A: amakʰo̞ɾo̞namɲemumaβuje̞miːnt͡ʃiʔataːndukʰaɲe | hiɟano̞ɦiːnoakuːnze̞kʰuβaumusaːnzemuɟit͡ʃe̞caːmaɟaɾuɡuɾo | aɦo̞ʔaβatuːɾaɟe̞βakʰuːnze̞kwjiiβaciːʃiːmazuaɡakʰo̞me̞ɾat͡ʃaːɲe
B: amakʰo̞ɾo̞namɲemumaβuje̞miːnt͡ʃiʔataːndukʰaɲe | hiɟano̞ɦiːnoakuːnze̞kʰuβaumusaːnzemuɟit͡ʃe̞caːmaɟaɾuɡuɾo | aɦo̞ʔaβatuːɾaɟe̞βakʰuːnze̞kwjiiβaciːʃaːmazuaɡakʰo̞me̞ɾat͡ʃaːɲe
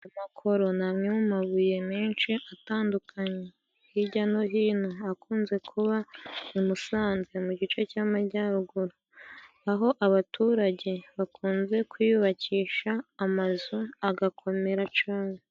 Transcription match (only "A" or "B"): B